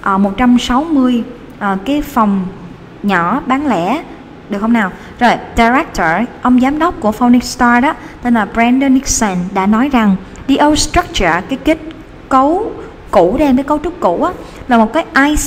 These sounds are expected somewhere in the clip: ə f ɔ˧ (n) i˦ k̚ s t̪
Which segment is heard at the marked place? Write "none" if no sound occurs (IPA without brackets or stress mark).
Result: n